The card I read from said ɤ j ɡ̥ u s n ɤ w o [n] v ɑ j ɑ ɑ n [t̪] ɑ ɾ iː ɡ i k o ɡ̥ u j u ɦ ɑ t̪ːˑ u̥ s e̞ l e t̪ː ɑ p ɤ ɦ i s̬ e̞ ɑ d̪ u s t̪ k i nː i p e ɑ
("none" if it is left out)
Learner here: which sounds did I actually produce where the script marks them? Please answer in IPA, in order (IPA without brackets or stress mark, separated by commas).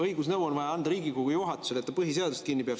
n, d̪